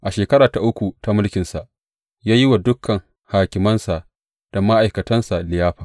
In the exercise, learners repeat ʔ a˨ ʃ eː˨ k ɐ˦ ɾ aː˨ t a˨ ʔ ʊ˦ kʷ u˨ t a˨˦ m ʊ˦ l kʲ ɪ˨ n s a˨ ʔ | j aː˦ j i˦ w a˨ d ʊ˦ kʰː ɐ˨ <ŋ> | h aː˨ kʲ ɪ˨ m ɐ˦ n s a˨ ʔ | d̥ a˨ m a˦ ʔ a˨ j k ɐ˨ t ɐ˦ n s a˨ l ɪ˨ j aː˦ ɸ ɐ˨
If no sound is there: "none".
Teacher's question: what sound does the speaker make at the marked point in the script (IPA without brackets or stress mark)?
ŋ